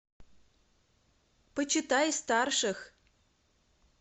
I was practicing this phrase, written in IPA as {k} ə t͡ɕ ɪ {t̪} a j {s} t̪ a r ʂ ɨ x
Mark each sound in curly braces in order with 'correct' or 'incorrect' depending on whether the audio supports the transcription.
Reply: incorrect: p, correct, correct

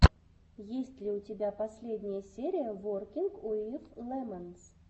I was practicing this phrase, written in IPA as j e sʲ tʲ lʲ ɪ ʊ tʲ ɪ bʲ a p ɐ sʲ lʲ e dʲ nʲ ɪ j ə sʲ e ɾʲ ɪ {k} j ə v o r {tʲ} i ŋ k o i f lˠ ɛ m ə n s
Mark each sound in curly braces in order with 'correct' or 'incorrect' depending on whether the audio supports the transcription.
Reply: incorrect: none, incorrect: kʲ

